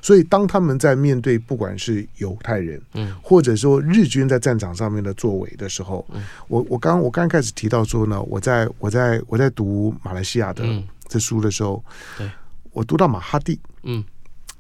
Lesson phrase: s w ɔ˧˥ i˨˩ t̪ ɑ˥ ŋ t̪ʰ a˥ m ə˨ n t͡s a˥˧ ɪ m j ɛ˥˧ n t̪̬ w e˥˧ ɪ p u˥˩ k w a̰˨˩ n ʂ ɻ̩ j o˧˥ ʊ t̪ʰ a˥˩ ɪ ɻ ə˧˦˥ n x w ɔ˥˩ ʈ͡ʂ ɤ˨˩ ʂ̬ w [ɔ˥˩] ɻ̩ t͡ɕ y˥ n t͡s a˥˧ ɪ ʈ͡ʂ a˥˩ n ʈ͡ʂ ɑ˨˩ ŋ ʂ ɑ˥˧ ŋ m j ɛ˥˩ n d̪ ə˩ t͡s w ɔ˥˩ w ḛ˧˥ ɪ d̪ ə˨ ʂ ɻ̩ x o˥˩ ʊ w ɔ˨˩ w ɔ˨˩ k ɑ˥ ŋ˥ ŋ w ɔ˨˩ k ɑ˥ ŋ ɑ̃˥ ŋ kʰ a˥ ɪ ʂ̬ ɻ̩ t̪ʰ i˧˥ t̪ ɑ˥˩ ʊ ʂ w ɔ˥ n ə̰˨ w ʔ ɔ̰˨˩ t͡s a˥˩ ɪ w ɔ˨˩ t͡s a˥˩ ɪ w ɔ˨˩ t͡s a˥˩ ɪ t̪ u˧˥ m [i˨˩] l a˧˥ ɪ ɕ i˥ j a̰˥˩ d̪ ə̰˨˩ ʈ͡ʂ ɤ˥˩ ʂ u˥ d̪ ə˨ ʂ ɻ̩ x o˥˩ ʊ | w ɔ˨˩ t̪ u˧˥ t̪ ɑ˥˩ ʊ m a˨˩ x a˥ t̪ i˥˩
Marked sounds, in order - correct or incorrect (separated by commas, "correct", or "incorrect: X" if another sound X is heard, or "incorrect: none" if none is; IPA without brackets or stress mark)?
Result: incorrect: ɔ˥, incorrect: a˨˩